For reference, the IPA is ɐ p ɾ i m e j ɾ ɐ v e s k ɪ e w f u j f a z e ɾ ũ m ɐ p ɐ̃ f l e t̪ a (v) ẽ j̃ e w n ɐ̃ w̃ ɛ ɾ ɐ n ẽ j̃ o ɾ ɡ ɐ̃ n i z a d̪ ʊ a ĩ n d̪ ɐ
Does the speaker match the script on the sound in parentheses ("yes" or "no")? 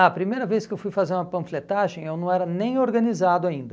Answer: no